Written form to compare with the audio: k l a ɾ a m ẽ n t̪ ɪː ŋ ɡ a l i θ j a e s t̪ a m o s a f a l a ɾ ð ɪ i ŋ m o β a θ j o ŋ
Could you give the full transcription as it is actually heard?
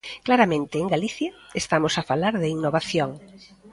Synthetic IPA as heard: k l a ɾ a m ẽ n t̪ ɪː ŋ ɡ a l i θ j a e s t̪ a m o s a f a l a ɾ ð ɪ i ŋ n o β a θ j o ŋ